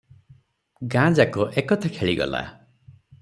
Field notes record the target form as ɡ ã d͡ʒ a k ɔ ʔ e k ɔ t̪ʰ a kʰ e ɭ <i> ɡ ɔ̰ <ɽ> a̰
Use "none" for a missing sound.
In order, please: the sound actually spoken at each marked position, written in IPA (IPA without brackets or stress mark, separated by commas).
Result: i, l